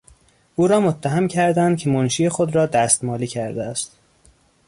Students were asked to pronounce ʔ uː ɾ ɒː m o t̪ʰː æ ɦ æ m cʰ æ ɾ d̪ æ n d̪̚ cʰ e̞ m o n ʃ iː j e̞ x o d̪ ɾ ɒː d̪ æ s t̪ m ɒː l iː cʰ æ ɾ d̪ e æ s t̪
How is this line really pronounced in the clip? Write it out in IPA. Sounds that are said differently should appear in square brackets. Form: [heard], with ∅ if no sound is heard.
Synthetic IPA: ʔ uː ɾ ɒː m o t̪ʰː æ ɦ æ m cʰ æ ɾ d̪ æ n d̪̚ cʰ e̞ m o n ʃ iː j e̞ x o d̪ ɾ ɒː d̪ æ s t̪ m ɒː l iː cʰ æ ɾ d̪ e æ s t̪